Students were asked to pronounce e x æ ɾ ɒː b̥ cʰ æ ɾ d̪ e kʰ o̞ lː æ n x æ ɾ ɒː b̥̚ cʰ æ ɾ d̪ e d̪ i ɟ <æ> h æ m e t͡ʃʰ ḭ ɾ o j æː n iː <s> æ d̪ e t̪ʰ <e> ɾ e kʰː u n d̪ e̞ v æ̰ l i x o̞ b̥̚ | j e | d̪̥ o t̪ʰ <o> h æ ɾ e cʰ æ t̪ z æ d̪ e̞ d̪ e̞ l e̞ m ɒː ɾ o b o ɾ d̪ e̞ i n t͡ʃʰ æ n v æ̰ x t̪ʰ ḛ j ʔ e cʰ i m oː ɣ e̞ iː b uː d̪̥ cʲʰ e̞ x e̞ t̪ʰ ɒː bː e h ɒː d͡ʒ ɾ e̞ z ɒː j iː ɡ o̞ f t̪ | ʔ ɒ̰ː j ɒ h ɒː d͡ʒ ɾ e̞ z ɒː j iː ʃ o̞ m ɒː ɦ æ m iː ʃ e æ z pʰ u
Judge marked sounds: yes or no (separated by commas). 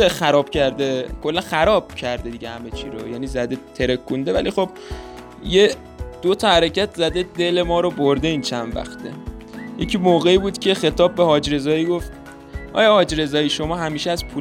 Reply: no, no, yes, no